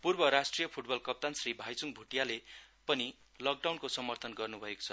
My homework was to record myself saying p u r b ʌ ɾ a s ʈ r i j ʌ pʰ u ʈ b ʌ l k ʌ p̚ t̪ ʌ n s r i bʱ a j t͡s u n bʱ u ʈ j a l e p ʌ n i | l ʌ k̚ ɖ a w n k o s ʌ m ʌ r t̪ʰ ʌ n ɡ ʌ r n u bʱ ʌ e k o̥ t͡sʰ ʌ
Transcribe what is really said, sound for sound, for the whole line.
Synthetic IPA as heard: p u r b ʌ ɾ a s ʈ r i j ʌ pʰ u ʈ b ʌ l k ʌ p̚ t̪ a n s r i bʱ a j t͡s u ŋ bʱ u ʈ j a l e p ʌ n i | l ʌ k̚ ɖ a w n k o s ʌ m ʌ r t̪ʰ ʌ n ɡ ʌ r n u bʱ ʌ e k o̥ t͡sʰ ʌ

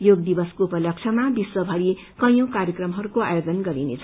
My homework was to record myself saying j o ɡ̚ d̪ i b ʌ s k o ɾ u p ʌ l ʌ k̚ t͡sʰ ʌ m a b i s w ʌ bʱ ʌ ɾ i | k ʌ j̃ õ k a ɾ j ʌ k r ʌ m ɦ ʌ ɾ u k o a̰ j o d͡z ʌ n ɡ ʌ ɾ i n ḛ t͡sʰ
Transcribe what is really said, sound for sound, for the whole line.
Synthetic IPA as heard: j o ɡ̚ d̪ i b ʌ s k o u p ʌ l ʌ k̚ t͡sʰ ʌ m a b i s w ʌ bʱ ʌ ɾ i | k ʌ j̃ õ k a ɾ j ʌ k r ʌ m ɦ ʌ ɾ u k o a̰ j o d͡z ʌ n ɡ ʌ ɾ i n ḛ t͡sʰ

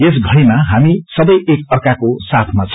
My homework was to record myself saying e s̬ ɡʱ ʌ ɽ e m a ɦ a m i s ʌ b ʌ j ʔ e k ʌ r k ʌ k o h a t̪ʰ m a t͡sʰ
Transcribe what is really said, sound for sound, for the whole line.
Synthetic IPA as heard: e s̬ ɡʱ ʌ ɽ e m a ɦ a m i s ʌ b ʌ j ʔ e k ʌ r k a k o s a t̪ʰ m a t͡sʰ

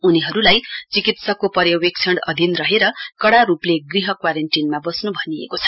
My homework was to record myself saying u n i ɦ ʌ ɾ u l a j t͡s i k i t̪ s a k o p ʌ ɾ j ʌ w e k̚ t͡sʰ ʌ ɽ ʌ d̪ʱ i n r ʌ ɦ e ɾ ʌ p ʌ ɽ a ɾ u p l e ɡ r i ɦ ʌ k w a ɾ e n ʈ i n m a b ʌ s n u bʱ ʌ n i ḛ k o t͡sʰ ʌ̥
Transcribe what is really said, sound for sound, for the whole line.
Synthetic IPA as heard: u n i ɦ ʌ ɾ u l a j t͡s i k i t̪ s ʌ k o p ʌ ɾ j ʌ w e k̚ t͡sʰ ʌ ɽ ʌ d̪ʱ i n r ʌ ɦ e ɾ ʌ k ʌ ɽ a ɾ u p l e ɡ r i ɦ ʌ k w a ɾ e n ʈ i n m a b ʌ s n u bʱ ʌ n i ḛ k o t͡sʰ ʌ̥

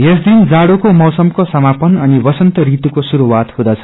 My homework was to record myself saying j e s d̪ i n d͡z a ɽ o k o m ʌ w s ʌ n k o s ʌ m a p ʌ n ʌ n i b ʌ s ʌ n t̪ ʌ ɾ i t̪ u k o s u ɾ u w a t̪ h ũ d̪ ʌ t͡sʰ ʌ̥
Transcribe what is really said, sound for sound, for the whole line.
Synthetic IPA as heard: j e s d̪ i n d͡z a ɽ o k o m ʌ w s ʌ m k o s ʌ m a p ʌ n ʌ n i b ʌ s ʌ n t̪ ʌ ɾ i t̪ u k o s u ɾ u w a t̪ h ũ d̪ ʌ t͡sʰ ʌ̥

